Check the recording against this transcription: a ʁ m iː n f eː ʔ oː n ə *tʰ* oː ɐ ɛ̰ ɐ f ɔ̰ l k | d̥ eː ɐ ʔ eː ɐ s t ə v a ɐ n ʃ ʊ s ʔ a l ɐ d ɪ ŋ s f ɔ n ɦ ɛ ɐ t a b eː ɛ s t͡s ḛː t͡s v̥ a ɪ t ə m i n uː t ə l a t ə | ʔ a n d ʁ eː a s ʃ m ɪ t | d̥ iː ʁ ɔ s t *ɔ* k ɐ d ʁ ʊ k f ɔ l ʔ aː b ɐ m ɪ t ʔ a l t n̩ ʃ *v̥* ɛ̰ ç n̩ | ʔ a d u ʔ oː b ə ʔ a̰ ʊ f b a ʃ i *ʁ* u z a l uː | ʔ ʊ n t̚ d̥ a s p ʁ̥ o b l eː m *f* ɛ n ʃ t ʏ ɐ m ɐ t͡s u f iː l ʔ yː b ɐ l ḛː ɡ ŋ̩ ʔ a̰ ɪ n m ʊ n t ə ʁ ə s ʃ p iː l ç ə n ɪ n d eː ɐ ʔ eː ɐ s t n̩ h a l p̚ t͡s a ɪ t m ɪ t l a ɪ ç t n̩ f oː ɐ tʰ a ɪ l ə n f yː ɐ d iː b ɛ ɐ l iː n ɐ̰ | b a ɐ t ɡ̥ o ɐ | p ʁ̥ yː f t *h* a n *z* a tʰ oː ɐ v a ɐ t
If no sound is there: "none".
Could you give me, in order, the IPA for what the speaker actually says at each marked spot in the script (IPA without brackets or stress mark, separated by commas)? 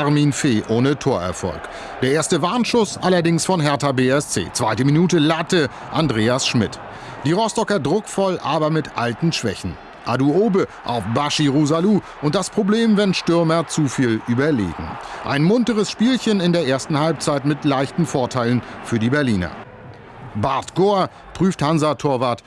tʰ, ɔ, v̥, ʁ, v, h, z